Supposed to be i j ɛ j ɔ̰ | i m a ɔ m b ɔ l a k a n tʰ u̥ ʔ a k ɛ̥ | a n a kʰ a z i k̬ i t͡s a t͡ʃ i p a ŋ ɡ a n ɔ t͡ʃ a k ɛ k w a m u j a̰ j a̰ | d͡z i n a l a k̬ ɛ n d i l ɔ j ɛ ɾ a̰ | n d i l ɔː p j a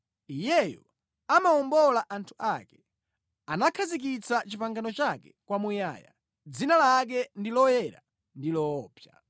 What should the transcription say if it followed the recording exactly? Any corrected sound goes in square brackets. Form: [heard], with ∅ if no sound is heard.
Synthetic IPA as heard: i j ɛ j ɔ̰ | [a] m a ɔ m b ɔ l a [ʔ] a n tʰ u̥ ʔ a k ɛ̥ | a n a kʰ a z i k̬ i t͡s a t͡ʃ i p a ŋ ɡ a n ɔ t͡ʃ a k ɛ k w a m u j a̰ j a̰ | d͡z i n a l a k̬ ɛ n d i l ɔ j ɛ ɾ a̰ | n d i l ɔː p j a